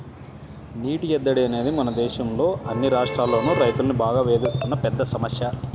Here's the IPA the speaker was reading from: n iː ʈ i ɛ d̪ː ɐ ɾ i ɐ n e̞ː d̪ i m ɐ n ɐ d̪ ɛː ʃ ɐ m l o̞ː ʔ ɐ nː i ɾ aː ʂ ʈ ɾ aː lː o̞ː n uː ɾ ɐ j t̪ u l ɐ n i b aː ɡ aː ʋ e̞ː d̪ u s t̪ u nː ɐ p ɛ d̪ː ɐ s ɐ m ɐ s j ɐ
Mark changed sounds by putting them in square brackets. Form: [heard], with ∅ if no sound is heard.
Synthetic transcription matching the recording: n iː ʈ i ɛ d̪ː ɐ [ɽ] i ɐ n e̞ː d̪ i m ɐ n ɐ d̪ ɛː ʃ ɐ m l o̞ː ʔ ɐ nː i ɾ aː ʂ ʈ ɾ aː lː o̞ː n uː ɾ ɐ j t̪ u l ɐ n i b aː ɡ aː ʋ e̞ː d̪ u s t̪ u nː ɐ p ɛ d̪ː ɐ s ɐ m ɐ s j ɐ